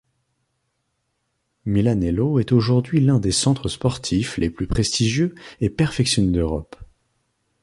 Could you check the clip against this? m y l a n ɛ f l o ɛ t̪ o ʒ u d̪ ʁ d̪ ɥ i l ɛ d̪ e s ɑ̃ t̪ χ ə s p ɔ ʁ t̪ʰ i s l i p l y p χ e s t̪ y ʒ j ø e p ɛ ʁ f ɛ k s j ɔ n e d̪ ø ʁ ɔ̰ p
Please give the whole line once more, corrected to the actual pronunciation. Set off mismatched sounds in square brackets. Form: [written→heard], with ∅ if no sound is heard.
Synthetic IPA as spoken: m [y→i] l a n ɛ [f→∅] l o ɛ t̪ o ʒ u [d̪→∅] ʁ d̪ ɥ i l [ɛ→ɛ̃] d̪ e s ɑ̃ t̪ χ ə s p ɔ ʁ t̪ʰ i [s→f] l [i→e] p l y p χ e s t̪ [y→i] ʒ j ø e p ɛ ʁ f ɛ k s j ɔ n e d̪ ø ʁ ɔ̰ p